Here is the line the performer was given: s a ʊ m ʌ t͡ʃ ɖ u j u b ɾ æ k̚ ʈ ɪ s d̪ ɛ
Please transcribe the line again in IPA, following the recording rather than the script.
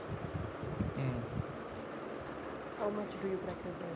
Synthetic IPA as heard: h a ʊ m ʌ t͡ʃ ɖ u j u p ɾ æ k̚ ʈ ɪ s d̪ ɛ